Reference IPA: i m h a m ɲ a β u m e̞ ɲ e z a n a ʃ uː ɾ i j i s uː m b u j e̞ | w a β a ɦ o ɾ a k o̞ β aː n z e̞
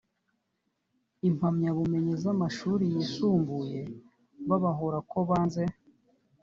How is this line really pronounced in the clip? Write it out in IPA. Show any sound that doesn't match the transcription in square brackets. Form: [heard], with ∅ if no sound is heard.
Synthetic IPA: i m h a m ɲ a β u m e̞ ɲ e z a [m] a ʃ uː ɾ i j i s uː m b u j e̞ | [β] a β a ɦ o ɾ a k o̞ β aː n z e̞